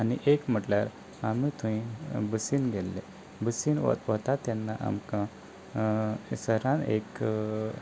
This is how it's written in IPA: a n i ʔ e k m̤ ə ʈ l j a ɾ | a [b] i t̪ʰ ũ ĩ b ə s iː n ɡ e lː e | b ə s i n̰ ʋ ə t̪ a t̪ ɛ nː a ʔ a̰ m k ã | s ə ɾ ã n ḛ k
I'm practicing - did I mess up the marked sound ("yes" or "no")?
yes